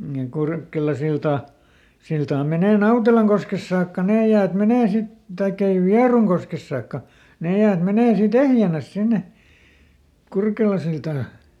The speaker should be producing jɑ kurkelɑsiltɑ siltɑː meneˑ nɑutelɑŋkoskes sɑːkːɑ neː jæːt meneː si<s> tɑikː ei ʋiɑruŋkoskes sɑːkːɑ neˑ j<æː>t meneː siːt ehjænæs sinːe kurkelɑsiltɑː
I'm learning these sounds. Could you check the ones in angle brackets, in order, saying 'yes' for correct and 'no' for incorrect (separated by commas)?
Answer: no, yes